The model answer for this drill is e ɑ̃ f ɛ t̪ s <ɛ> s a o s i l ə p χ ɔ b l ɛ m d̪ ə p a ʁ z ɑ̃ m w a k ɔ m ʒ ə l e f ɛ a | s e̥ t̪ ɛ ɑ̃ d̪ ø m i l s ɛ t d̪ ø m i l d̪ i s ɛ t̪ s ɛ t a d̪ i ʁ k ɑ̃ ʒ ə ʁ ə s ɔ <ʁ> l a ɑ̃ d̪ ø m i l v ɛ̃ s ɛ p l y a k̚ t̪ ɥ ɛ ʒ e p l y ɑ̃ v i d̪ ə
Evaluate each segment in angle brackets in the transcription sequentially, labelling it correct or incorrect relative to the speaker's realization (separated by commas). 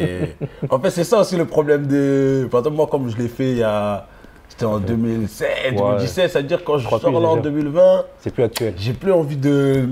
correct, correct